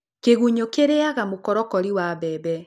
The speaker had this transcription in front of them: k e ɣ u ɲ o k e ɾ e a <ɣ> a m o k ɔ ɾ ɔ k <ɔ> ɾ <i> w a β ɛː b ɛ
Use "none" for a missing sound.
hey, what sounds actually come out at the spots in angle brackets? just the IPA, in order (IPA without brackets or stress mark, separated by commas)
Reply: ɣ, ɔ, i